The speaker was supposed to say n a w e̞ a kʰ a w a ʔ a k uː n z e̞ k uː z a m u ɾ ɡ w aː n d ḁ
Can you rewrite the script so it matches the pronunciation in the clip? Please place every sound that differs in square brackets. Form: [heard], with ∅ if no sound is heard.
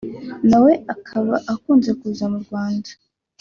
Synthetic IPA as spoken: n a w e̞ a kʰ a [β] a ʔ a k uː n z e̞ k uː z a m u ɾ ɡ w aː n d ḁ